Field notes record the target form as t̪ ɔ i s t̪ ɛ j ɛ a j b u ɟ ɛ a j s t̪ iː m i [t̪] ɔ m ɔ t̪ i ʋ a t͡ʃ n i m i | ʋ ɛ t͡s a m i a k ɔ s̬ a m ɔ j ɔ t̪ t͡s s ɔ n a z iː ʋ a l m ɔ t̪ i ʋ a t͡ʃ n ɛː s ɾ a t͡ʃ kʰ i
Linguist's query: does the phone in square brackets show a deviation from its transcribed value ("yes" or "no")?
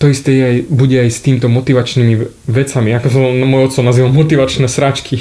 no